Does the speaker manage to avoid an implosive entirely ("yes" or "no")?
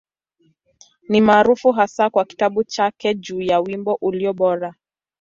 no